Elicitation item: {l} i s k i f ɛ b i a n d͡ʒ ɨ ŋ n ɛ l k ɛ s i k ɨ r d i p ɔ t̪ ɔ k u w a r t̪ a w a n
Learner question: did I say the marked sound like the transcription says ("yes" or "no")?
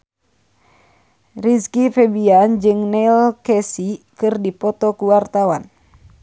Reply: no